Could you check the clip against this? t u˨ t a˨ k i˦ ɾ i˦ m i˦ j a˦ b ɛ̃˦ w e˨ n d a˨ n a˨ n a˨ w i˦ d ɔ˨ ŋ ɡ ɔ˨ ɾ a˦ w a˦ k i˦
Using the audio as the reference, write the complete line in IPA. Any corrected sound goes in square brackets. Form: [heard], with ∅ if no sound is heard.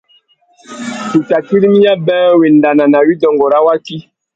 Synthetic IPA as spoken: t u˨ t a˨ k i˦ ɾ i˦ m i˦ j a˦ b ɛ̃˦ w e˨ n d a˨ n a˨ n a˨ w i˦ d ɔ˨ ŋ ɡ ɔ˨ ɾ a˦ w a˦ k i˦